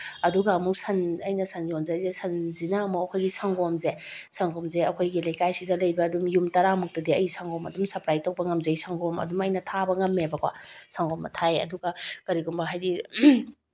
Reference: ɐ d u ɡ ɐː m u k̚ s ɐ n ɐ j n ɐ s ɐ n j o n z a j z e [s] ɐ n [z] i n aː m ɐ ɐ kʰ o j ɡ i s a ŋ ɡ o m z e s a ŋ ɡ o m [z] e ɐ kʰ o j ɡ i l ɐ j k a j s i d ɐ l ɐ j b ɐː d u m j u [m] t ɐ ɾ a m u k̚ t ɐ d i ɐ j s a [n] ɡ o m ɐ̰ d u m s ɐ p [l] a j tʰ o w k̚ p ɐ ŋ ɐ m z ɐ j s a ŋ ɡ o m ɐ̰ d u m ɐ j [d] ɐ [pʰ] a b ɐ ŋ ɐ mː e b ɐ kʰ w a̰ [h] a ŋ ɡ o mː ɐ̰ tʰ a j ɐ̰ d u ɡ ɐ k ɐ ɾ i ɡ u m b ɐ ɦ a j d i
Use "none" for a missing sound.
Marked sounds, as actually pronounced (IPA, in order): s, z, z, m, ŋ, ɾ, n, tʰ, s

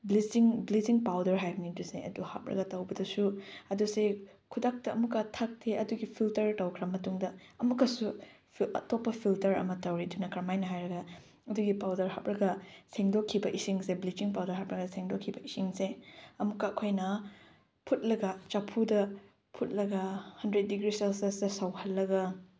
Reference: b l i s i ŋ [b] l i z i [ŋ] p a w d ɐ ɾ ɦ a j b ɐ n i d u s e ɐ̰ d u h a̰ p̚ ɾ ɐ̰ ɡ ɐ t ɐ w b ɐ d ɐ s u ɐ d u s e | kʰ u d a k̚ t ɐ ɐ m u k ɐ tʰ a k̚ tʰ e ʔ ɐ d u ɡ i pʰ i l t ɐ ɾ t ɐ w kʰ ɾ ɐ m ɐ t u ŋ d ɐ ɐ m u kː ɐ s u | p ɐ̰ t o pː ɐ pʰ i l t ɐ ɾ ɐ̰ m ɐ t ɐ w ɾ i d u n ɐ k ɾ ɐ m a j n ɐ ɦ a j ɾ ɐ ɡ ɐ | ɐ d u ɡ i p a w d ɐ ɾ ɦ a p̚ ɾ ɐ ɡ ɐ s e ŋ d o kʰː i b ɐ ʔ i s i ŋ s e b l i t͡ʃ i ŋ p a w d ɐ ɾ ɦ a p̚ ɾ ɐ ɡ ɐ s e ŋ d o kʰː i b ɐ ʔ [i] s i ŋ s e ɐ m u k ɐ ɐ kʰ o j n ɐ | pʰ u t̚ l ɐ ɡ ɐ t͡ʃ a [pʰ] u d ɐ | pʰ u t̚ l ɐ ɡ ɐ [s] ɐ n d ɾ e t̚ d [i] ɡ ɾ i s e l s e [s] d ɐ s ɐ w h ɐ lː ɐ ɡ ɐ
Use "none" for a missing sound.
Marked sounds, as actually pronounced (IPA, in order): b, ŋ, i, pʰ, h, i, s

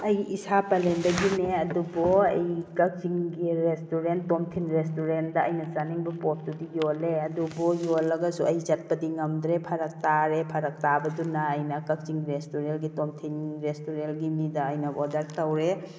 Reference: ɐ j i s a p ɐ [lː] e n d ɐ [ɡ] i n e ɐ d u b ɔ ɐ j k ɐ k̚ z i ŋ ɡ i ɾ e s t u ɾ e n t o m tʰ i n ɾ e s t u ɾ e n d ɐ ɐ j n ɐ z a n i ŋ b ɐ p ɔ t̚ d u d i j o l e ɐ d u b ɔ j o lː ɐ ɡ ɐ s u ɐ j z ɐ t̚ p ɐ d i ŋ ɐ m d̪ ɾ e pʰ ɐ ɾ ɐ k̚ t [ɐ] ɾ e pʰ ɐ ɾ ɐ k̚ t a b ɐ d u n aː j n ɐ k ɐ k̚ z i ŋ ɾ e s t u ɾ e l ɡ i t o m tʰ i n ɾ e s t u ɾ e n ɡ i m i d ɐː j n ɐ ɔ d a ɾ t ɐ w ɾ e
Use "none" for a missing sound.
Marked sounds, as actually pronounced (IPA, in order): l, ɡ, a

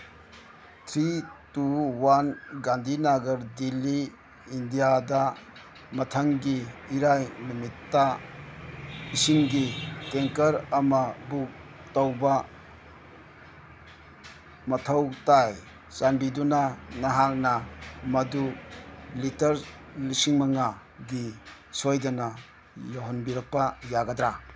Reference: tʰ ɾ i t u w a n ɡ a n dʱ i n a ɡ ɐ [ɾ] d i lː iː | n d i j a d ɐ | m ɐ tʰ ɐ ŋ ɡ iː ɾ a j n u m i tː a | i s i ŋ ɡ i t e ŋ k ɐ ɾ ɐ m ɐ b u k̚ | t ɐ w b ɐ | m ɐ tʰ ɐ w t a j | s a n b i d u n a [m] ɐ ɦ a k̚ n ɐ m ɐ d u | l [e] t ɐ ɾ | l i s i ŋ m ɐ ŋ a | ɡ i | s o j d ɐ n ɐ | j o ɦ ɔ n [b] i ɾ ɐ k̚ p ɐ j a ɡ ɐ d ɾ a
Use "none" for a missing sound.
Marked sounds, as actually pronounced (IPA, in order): ɾ, n, i, b

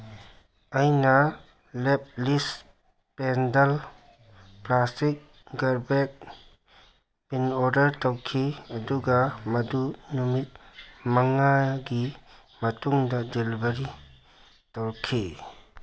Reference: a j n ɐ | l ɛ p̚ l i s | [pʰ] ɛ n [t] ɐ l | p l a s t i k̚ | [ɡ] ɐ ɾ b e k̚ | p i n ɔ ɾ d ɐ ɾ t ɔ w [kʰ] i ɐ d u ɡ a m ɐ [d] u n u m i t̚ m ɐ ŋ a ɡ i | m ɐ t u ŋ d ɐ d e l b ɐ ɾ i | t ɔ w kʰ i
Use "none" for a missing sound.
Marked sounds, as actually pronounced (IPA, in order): p, d, ɡ, kʰ, d

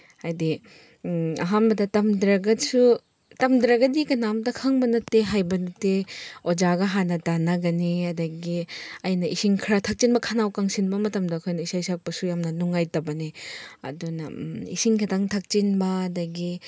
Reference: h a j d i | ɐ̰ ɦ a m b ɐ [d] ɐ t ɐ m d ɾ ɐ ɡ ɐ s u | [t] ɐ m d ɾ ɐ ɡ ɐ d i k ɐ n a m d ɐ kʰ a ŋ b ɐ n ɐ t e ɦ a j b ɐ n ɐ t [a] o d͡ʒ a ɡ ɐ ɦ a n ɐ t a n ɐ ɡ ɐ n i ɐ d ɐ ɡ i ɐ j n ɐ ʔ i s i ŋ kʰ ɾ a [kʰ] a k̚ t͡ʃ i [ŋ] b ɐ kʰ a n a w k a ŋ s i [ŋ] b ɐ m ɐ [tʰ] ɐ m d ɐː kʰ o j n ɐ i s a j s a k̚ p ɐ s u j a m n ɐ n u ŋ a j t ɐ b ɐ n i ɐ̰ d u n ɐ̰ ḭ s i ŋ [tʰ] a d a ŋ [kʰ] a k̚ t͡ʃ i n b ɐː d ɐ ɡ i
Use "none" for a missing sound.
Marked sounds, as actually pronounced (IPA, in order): d, t, e, tʰ, n, n, t, kʰ, tʰ

